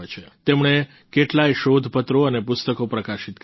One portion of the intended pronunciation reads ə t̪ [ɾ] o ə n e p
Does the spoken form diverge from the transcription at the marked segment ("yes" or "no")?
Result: no